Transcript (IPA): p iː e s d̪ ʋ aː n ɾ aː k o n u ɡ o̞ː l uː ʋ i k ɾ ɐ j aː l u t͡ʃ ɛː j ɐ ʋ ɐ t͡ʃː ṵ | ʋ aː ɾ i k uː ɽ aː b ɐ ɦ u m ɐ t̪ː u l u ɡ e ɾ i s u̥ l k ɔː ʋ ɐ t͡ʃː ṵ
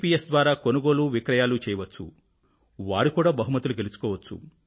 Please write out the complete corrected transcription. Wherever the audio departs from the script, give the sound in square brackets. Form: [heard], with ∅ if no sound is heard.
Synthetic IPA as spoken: p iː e s d̪ ʋ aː [∅] ɾ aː k o n u ɡ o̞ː l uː ʋ i k ɾ ɐ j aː l u t͡ʃ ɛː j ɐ ʋ ɐ t͡ʃː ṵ | ʋ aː ɾ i k uː ɽ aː b ɐ ɦ u m ɐ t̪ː u l u ɡ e [l] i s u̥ [∅] k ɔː ʋ ɐ t͡ʃː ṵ